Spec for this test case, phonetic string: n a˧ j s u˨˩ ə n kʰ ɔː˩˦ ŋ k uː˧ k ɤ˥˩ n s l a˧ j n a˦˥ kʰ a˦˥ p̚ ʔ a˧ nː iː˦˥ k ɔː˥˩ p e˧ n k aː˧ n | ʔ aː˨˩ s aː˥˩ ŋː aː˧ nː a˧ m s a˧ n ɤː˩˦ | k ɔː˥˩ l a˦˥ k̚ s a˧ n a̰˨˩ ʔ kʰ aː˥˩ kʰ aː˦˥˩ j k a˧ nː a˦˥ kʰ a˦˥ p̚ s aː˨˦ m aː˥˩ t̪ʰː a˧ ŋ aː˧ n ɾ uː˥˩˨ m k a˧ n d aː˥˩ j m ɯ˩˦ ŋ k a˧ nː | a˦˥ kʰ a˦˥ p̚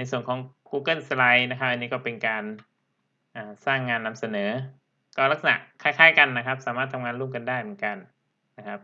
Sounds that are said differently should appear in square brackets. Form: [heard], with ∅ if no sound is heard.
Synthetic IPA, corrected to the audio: n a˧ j s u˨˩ ə n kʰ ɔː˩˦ ŋ k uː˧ k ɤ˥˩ n s l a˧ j n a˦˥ kʰ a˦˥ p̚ ʔ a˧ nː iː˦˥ k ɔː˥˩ p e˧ n k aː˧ n | ʔ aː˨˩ s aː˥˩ ŋː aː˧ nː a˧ m s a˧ n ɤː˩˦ | k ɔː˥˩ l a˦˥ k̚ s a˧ n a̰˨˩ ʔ kʰ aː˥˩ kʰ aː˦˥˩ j k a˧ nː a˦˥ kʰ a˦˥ p̚ s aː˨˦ m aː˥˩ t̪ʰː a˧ ŋ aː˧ n ɾ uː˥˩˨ m k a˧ n d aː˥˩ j m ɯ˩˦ [n] k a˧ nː | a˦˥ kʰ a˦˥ p̚